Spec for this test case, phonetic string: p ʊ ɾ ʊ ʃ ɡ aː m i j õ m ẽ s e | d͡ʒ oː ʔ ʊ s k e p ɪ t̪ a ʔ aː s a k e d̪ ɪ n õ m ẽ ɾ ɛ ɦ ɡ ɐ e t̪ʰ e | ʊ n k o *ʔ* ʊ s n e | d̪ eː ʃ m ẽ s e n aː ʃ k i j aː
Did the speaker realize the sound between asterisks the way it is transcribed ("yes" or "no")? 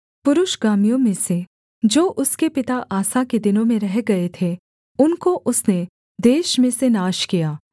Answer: yes